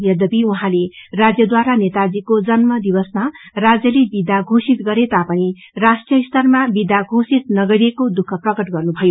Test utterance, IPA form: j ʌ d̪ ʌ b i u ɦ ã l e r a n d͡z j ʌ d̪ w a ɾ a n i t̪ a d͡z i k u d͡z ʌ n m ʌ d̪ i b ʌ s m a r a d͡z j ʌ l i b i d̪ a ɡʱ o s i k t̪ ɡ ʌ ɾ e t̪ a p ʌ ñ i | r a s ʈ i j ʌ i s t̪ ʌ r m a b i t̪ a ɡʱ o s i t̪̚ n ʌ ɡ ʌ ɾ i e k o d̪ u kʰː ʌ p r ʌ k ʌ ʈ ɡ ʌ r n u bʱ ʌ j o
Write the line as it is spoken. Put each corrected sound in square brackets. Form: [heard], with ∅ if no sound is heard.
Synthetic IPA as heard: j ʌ d̪ ʌ b i u ɦ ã l e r a [∅] d͡z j ʌ d̪ w a ɾ a n [e] t̪ a d͡z i k [o] d͡z ʌ n m ʌ d̪ i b ʌ s m a r a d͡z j ʌ l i b i d̪ a ɡʱ o s i [∅] t̪ ɡ ʌ ɾ e t̪ a p ʌ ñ i | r a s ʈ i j ʌ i s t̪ ʌ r m a b i [d̪] a ɡʱ o s i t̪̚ n ʌ ɡ ʌ ɾ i e k o d̪ u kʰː ʌ p r ʌ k ʌ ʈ ɡ ʌ r n u bʱ ʌ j o